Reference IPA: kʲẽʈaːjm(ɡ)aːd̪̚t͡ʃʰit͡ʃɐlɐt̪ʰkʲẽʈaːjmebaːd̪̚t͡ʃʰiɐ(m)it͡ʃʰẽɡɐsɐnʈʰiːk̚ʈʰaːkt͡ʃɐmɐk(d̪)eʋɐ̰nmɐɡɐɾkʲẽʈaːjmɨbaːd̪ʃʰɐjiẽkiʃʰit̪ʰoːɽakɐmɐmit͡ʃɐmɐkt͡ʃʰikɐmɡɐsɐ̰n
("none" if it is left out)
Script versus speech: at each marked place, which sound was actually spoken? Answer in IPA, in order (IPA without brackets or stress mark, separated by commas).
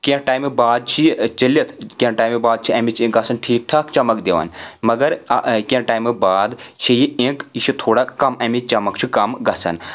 b, m, d̪